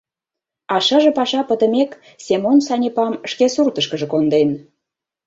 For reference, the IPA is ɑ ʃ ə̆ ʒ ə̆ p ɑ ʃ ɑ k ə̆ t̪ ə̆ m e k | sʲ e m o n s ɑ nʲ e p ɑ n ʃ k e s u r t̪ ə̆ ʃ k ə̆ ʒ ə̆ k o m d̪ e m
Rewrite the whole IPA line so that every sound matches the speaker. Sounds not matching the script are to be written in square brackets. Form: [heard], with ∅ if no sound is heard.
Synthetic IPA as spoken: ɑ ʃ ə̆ ʒ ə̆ p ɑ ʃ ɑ [p] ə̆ t̪ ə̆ m e k | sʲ e m o n s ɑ nʲ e p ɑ [m] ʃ k e s u r t̪ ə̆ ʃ k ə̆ ʒ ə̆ k o [n] d̪ e [n]